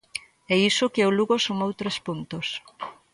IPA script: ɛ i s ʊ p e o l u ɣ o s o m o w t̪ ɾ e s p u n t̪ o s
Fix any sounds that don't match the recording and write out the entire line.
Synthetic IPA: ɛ i s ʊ k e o l u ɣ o s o m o w t̪ ɾ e s p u n t̪ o s